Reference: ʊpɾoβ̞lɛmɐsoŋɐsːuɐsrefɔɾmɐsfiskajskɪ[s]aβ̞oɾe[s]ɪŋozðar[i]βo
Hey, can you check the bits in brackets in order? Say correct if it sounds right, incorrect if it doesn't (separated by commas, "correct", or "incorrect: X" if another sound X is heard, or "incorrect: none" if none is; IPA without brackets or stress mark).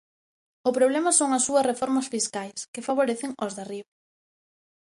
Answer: incorrect: f, incorrect: θ, correct